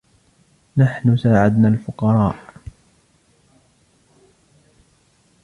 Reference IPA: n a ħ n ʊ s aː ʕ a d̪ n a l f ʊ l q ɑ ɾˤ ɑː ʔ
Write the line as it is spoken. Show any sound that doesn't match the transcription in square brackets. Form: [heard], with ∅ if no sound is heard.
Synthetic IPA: n a ħ n ʊ s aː ʕ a d̪ n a l f ʊ [∅] q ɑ ɾˤ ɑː ʔ